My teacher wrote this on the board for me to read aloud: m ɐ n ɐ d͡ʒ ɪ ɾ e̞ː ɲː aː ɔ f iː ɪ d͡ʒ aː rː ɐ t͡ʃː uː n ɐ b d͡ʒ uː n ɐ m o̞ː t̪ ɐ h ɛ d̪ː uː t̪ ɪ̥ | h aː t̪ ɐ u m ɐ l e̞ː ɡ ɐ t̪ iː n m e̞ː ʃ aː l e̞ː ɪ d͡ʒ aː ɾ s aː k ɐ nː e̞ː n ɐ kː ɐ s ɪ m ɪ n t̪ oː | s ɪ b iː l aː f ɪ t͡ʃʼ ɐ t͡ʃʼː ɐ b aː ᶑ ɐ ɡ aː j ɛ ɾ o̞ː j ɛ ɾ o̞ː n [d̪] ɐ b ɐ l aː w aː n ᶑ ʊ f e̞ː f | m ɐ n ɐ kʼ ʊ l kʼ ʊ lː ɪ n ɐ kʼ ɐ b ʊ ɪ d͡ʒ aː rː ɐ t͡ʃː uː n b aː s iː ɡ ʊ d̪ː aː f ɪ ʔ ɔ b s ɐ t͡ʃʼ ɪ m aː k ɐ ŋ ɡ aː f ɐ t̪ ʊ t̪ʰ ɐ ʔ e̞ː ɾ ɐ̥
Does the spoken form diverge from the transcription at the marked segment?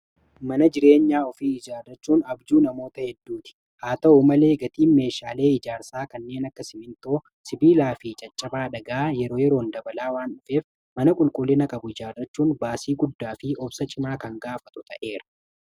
no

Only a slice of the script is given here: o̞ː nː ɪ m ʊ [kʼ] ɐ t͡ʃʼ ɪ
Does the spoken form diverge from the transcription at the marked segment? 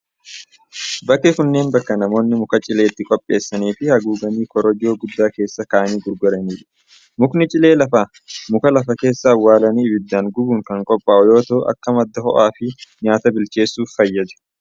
yes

